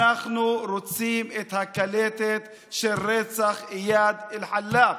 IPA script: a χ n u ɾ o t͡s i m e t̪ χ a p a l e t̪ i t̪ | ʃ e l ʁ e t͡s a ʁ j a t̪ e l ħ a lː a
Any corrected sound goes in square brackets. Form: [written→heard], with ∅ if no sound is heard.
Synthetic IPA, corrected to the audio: a χ n u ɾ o t͡s i m e t̪ [χ→h] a [p→k] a l e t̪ [i→e] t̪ | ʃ e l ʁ e t͡s a [ʁ→χ] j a [t̪→d̪] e l ħ a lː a